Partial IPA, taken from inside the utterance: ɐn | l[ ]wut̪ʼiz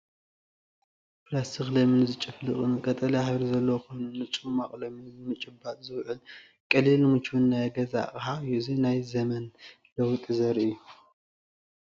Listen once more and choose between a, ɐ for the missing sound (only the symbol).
ɐ